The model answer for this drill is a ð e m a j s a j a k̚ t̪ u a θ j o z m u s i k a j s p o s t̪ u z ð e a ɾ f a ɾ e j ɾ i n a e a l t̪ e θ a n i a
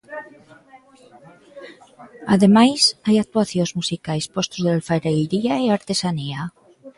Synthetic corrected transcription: a ð e m a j s a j a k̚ t̪ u a θ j o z m u s i k a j s p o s t̪ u z ð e a l f a ɾ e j ɾ i a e a ɾ t̪ e s a n i a